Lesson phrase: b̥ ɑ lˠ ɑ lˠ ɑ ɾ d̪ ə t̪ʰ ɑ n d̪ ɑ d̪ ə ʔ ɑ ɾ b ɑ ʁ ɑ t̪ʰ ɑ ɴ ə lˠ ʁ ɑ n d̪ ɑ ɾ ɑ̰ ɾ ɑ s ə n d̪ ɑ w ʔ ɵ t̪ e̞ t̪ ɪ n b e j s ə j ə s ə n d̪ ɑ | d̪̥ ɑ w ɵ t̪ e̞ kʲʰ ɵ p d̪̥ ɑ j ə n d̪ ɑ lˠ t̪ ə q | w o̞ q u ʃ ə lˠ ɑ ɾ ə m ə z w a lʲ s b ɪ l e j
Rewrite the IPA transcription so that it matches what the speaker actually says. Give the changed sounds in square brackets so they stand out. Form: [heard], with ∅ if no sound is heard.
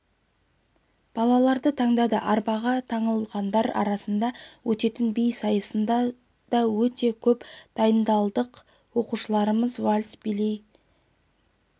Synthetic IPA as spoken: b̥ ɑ lˠ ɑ lˠ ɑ ɾ d̪ ə t̪ʰ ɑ [ɴ] d̪ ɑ d̪ ə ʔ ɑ ɾ b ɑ ʁ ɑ t̪ʰ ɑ ɴ ə lˠ ʁ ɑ n d̪ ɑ ɾ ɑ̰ ɾ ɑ s ə n d̪ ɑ w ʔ ɵ t̪ e̞ t̪ ɪ n b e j s [ɑ] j ə s ə n d̪ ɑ | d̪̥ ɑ w ɵ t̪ e̞ kʲʰ ɵ p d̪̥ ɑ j ə n d̪ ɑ lˠ [d̪] ə q | w o̞ q u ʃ ə lˠ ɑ ɾ ə m ə z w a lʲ s b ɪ l e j